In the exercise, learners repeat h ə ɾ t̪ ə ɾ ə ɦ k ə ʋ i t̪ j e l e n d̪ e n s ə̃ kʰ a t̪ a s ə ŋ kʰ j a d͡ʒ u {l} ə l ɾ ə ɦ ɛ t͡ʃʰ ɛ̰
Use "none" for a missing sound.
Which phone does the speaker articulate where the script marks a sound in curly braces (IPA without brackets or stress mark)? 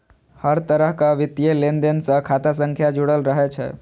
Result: ɽ